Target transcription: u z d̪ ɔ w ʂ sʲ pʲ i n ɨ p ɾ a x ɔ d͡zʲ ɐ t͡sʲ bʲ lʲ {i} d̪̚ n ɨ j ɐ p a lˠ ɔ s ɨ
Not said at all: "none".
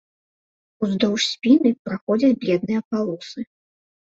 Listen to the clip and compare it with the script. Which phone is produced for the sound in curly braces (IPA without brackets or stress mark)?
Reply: ɛ